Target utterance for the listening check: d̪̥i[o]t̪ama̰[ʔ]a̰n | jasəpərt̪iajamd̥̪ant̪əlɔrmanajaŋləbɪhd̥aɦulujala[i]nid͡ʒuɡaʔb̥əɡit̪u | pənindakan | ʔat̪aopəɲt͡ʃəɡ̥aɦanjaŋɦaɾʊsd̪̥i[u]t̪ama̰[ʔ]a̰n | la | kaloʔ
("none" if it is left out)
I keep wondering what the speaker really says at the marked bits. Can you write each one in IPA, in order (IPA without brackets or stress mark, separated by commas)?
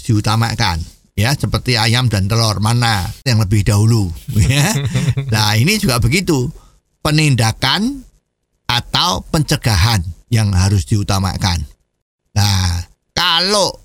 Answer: u, k, i, u, k